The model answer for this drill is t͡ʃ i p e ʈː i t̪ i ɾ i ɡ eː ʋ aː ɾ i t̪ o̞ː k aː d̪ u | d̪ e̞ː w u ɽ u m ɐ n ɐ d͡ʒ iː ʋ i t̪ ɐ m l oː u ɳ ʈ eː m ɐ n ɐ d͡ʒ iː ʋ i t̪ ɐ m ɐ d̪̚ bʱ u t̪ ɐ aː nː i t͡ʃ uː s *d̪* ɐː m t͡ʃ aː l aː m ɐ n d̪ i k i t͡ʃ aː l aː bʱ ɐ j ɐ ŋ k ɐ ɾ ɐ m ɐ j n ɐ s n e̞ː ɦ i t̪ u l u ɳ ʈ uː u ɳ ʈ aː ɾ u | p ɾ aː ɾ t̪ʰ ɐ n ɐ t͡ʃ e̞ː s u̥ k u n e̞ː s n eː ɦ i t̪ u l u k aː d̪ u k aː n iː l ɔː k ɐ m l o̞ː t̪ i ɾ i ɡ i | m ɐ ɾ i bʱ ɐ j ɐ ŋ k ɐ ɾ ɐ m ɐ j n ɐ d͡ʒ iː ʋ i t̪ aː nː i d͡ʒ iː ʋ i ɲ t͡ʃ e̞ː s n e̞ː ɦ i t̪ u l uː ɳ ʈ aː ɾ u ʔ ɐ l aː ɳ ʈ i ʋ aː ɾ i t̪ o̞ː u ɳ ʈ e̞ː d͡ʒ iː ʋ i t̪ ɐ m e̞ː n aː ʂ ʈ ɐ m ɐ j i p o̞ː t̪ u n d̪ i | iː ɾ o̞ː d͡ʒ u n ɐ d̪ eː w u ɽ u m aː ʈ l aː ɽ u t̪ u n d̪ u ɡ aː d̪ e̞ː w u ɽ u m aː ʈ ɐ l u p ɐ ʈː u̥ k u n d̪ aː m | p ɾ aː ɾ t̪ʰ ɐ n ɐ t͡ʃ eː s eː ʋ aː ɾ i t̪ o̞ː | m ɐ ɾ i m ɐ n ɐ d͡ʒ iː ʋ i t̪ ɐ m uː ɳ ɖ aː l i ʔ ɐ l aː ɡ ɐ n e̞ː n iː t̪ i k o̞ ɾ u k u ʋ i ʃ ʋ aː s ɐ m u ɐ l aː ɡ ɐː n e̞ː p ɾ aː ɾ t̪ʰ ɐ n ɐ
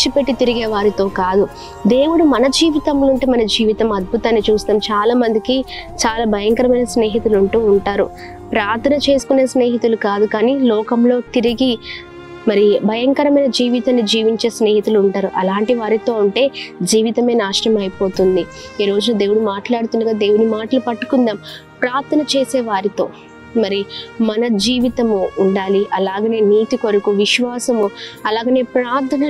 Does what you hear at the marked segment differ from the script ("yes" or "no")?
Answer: yes